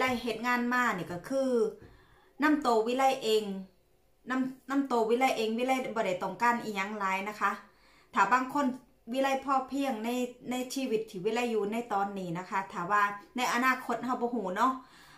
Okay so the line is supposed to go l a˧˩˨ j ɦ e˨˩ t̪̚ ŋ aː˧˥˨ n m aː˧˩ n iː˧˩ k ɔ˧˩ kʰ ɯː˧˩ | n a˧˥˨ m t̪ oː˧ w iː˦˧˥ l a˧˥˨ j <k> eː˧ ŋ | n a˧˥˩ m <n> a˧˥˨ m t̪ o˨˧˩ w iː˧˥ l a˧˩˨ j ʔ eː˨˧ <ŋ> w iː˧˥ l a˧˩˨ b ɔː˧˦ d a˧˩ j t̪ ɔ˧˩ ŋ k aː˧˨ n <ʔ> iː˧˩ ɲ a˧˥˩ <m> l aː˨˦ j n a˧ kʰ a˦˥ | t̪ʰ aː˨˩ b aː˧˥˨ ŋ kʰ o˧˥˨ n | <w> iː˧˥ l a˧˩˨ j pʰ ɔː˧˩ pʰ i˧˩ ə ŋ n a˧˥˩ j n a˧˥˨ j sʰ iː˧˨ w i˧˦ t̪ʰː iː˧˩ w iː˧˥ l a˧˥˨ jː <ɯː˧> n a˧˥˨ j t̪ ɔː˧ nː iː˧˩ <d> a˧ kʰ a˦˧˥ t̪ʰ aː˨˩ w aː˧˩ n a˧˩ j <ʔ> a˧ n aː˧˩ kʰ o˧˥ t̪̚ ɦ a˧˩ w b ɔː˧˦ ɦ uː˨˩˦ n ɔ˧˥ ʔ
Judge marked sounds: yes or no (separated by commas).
no, yes, yes, yes, no, yes, no, no, yes